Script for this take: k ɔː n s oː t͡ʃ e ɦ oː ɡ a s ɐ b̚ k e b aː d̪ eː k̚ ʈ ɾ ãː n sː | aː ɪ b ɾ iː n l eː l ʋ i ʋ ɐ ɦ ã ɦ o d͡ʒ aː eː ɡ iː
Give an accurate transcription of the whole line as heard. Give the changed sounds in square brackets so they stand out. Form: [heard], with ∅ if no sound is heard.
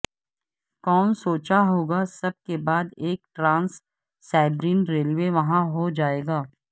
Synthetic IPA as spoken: k ɔː n s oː t͡ʃ [a] ɦ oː ɡ a s ɐ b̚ k e b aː d̪ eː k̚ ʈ ɾ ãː n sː | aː ɪ b ɾ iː n [ɾ] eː l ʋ [e] ʋ ɐ ɦ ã ɦ o d͡ʒ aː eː ɡ [aː]

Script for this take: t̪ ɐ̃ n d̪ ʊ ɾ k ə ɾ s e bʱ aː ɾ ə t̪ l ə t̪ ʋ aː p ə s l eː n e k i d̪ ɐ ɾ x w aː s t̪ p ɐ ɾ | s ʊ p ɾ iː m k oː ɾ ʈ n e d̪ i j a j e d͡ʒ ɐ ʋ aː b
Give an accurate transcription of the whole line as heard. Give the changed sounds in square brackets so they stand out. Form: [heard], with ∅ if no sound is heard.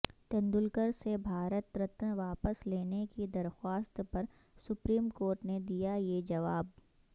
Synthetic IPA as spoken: t̪ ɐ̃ n d̪ ʊ [l] k ə ɾ s e bʱ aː ɾ ə t̪ [ɾ] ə t̪ ʋ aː p ə s l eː n e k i d̪ ɐ ɾ x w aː s t̪ p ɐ ɾ | s ʊ p ɾ iː m k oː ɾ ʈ n e d̪ i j a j e d͡ʒ ɐ ʋ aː b

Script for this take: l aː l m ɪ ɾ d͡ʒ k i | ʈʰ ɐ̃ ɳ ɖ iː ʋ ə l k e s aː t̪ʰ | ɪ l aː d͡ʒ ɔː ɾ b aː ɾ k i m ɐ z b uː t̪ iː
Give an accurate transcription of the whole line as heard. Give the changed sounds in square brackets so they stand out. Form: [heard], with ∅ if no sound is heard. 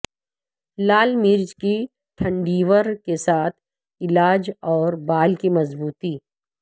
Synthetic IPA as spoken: l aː l m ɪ ɾ d͡ʒ k i | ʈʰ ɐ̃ ɳ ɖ iː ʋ ə [ɾ] k e s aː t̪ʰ | ɪ l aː d͡ʒ ɔː ɾ b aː [l] k i m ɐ z b uː t̪ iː

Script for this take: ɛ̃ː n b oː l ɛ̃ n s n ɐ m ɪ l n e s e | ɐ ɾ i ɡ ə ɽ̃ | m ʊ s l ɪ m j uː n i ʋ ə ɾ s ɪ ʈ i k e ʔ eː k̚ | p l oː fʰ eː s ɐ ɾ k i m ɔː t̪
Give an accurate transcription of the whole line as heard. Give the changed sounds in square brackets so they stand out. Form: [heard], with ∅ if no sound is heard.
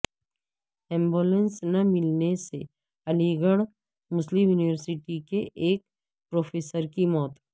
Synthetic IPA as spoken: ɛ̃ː [m] b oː l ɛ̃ n s n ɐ m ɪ l n e s e | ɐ [l] i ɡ ə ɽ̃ | m ʊ s l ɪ m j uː n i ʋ ə ɾ s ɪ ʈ i k e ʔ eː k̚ | p [ɾ] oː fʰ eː s [ə] ɾ k i m ɔː t̪

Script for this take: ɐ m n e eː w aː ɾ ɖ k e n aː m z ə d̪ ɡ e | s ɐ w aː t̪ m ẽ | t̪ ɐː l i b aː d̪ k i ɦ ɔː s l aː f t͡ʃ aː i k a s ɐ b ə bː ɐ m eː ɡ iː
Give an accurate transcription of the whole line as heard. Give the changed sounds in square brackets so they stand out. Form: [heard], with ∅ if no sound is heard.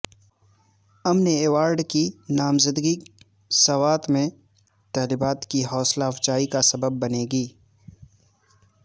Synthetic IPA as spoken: ɐ m n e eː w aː ɾ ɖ k [i] n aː m z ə d̪ ɡ [i] | s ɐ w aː t̪ m ẽ | t̪ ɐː l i b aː [t̪] k i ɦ ɔː s l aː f t͡ʃ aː i k a s ɐ b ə bː ɐ [n] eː ɡ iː

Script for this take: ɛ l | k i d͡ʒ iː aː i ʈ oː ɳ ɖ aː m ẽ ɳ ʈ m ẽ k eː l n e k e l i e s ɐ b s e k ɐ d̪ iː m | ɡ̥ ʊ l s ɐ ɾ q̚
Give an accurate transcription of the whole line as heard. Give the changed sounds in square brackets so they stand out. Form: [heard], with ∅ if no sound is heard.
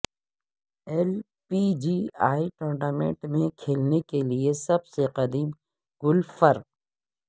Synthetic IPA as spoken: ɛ l | [p] i d͡ʒ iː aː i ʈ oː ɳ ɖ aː m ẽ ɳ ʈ m ẽ [kʰ] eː l n e k e l i e s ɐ b s e [q] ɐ d̪ iː m | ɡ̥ ʊ l [f] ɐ ɾ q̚

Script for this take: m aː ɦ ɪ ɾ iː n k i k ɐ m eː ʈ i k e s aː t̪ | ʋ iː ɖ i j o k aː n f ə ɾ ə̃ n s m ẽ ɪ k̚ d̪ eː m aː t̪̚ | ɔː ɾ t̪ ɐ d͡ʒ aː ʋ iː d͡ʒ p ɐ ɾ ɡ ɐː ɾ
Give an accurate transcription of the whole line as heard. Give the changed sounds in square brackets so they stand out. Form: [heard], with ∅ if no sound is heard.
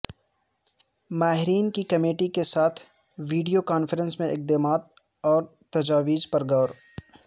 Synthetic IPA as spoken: m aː ɦ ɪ ɾ iː n k i k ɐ m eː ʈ i k e s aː [t̪ʰ] | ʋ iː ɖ i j o k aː n f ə ɾ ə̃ n s m ẽ ɪ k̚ d̪ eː m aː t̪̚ | ɔː ɾ t̪ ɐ d͡ʒ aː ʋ iː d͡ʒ p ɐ ɾ ɡ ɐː ɾ

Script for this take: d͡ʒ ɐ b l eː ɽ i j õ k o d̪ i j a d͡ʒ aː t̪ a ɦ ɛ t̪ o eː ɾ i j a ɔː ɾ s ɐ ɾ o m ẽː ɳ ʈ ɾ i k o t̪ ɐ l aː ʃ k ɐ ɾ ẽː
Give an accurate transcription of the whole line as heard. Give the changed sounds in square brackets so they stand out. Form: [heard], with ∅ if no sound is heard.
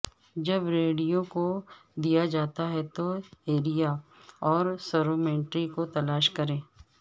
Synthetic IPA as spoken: d͡ʒ ɐ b [ɾ] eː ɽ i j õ k o d̪ i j a d͡ʒ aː t̪ a ɦ ɛ t̪ o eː ɾ i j a ɔː ɾ s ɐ ɾ o m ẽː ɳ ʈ ɾ i k o t̪ ɐ l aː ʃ k ɐ ɾ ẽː

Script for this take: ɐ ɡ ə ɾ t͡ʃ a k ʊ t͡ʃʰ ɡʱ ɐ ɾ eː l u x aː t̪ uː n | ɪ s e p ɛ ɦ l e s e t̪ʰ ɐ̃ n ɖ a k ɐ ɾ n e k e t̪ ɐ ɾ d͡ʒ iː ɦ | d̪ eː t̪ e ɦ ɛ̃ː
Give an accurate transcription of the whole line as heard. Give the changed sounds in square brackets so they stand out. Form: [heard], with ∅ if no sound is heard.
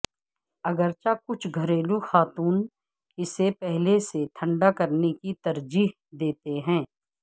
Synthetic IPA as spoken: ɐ ɡ ə ɾ t͡ʃ a k ʊ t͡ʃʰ ɡʱ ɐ ɾ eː l u x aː t̪ uː n | ɪ s e p ɛ ɦ l e s e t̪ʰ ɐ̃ [ɳ] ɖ a k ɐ ɾ n e k [i] t̪ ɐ ɾ d͡ʒ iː ɦ | d̪ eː t̪ e ɦ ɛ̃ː

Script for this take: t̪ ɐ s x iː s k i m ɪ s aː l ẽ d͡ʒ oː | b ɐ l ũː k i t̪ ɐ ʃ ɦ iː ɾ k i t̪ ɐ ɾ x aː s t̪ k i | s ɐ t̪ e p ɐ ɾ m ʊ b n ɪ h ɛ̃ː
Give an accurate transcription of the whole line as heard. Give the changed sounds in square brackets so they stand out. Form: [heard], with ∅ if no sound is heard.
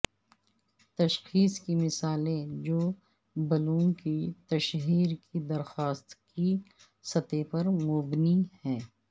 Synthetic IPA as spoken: t̪ ɐ [ʃ] x iː s k i m ɪ s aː l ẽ d͡ʒ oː | b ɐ l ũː k i t̪ ɐ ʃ ɦ iː ɾ k i [d̪] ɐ ɾ x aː s t̪ k i | s ɐ t̪ e p ɐ ɾ m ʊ b n [i] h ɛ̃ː

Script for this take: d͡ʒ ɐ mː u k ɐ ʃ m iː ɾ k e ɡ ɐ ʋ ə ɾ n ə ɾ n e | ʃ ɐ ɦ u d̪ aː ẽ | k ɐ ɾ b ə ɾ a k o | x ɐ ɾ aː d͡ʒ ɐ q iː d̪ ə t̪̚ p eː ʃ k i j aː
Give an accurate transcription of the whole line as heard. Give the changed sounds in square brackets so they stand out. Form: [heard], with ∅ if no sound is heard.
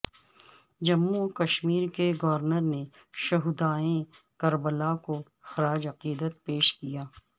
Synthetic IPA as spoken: d͡ʒ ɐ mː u k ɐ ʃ m iː ɾ k e ɡ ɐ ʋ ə ɾ n ə ɾ n e | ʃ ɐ ɦ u d̪ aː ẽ | k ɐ ɾ b ə [l] a k o | x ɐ ɾ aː d͡ʒ ɐ q iː d̪ ə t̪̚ p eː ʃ k i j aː

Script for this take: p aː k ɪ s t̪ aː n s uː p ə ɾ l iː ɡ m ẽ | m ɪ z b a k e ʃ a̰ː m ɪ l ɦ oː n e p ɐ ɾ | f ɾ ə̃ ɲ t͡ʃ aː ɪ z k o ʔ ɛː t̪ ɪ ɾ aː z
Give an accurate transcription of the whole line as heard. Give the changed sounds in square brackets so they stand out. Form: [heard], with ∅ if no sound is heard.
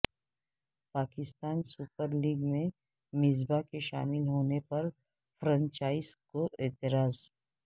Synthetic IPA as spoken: p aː k ɪ s t̪ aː n s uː p ə ɾ l iː ɡ m ẽ | m ɪ z b a k e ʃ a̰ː m ɪ l ɦ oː n e p ɐ ɾ | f ɾ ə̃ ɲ t͡ʃ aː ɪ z k o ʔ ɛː t̪ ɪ ɾ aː z

